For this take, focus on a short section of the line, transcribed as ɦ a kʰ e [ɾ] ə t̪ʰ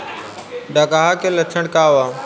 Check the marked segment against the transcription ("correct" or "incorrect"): incorrect